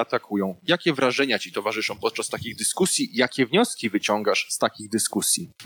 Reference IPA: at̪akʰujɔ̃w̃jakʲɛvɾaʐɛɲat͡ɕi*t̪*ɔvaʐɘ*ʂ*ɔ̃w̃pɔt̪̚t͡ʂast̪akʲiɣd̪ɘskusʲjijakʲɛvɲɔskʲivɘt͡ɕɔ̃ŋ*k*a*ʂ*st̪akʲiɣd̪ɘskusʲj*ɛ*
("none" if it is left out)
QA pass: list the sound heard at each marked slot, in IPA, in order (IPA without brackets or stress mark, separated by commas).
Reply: t̪, ʂ, ɡ, ʂ, i